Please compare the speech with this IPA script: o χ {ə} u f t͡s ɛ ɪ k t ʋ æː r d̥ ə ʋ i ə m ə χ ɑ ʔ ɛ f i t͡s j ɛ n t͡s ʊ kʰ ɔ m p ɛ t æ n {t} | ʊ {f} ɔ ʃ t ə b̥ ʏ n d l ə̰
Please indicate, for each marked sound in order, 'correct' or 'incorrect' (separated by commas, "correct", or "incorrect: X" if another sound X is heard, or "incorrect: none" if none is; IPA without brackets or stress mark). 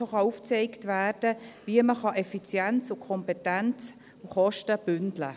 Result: incorrect: ɑ, incorrect: t͡s, incorrect: χ